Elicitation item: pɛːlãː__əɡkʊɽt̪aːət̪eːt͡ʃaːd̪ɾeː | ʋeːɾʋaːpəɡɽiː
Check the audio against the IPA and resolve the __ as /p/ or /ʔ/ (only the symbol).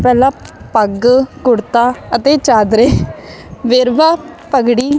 p